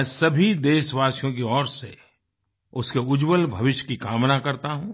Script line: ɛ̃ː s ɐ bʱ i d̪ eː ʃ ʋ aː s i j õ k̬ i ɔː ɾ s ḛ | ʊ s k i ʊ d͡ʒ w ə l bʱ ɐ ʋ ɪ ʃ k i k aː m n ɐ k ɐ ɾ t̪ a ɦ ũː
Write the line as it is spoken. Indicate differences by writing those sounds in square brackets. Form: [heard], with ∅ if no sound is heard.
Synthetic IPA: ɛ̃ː s ɐ bʱ i d̪ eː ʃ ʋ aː s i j õ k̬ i ɔː ɾ s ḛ | ʊ s k [e] ʊ d͡ʒ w ə l bʱ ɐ ʋ ɪ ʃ k i k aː m n [a] k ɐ ɾ t̪ a ɦ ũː